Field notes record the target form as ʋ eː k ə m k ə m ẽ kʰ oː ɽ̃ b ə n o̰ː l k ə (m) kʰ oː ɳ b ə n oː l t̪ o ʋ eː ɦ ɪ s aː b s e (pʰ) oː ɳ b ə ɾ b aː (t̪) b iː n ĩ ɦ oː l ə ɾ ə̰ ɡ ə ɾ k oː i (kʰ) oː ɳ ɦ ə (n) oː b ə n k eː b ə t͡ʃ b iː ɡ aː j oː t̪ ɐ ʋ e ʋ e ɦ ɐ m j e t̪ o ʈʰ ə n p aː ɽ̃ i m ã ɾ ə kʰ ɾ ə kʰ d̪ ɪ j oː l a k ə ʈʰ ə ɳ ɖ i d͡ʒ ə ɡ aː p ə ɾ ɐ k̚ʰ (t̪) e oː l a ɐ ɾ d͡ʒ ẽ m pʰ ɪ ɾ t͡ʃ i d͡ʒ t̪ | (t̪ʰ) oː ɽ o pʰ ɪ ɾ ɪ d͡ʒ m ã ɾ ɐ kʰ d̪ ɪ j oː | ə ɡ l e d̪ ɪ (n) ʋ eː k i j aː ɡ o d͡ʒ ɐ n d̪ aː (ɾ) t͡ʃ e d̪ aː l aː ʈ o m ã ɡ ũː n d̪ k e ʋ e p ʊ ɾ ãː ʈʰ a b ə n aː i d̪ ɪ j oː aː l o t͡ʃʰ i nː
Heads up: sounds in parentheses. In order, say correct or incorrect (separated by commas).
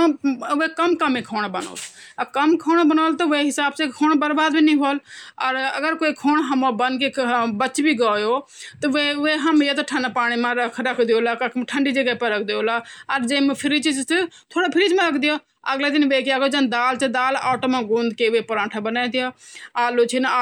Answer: correct, incorrect, incorrect, correct, incorrect, incorrect, correct, correct, incorrect